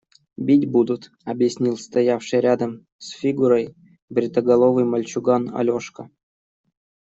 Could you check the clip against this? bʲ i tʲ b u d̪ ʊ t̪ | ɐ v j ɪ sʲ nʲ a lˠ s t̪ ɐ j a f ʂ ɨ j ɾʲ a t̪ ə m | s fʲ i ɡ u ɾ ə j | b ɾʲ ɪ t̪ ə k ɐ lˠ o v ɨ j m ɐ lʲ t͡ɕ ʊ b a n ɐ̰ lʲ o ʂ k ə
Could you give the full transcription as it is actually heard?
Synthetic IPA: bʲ i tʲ b u d̪ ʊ t̪ | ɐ b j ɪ sʲ nʲ i lˠ s t̪ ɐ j a f ʂ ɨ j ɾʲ a d̪ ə m | s fʲ i ɡ u ɾ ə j | b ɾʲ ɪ t̪ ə ɡ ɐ lˠ o v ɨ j m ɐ lʲ t͡ɕ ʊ ɡ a n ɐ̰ lʲ o ʂ k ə